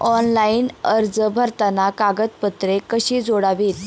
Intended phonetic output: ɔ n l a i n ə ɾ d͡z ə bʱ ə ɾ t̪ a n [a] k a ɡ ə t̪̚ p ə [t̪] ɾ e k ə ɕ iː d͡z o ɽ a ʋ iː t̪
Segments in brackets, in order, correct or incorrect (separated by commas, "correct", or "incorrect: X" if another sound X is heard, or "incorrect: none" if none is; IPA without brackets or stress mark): correct, correct